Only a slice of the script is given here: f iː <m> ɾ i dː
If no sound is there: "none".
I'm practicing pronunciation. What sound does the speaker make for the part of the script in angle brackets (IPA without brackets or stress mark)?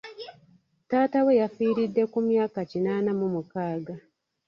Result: none